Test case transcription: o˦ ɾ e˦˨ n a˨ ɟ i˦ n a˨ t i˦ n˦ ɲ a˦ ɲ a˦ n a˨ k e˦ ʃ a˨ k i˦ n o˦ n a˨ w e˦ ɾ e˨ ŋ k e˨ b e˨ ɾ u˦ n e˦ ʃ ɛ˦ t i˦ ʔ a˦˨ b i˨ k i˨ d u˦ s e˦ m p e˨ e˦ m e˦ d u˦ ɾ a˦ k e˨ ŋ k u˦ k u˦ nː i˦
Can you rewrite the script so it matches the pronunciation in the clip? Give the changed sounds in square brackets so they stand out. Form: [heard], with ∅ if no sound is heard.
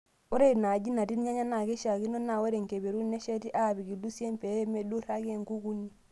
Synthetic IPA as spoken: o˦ ɾ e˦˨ n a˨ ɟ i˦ n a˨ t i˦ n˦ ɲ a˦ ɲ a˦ n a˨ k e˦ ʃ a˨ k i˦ n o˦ n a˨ w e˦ ɾ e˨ ŋ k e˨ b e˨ ɾ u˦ n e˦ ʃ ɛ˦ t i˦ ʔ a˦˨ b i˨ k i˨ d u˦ s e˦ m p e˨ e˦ m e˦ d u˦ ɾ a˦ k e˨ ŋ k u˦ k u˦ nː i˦